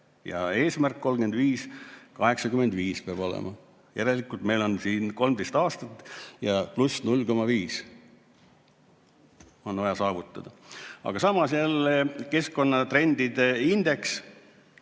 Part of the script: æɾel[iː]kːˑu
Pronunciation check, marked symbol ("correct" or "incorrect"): incorrect